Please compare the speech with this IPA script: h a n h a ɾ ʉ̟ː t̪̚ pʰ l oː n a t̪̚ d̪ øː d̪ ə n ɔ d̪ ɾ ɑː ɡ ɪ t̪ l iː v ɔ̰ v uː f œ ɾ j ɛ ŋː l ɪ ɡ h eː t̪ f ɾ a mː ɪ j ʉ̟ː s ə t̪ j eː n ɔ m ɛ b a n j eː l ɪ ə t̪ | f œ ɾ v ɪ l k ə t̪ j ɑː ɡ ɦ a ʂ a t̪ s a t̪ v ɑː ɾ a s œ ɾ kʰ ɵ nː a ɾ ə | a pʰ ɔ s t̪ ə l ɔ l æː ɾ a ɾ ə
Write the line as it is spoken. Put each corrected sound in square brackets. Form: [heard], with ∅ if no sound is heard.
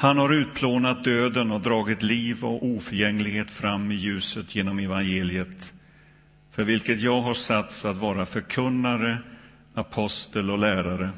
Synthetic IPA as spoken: h a n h a ɾ ʉ̟ː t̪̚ pʰ l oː n a t̪̚ d̪ øː d̪ ə n ɔ d̪ ɾ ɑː ɡ ɪ t̪ l iː v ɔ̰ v uː f œ ɾ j ɛ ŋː l ɪ ɡ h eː t̪ f ɾ a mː ɪ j ʉ̟ː s ə t̪ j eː n ɔ m ɛ [v] a n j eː l ɪ ə t̪ | f œ ɾ v ɪ l k ə t̪ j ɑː ɡ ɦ a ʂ a t̪ s a t̪ v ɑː ɾ a [f] œ ɾ kʰ ɵ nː a ɾ ə | a pʰ ɔ s t̪ ə l ɔ l æː ɾ a ɾ ə